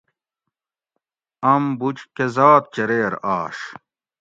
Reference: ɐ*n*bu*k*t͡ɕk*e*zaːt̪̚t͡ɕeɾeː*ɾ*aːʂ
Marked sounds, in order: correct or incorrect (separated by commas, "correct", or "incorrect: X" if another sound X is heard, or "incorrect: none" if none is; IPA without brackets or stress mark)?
incorrect: m, incorrect: none, correct, correct